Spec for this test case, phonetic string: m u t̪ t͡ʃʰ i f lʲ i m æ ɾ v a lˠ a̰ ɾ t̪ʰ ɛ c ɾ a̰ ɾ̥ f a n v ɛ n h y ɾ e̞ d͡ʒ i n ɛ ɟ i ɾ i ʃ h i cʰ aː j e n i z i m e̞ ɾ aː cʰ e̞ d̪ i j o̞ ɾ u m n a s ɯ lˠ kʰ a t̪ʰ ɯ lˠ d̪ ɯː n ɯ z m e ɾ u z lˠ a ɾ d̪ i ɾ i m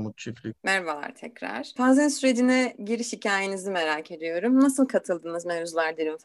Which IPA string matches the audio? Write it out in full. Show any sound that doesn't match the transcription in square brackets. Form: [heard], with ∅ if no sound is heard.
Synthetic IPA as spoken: m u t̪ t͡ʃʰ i f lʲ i m æ ɾ v a lˠ a̰ ɾ t̪ʰ ɛ c ɾ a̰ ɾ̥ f a n [z] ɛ n [s] y ɾ e̞ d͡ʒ i n ɛ ɟ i ɾ i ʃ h i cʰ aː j e n i z i m e̞ ɾ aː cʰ e̞ d̪ i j o̞ ɾ u m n a s ɯ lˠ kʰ a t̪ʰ ɯ lˠ d̪ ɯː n ɯ z m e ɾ u z lˠ a ɾ d̪ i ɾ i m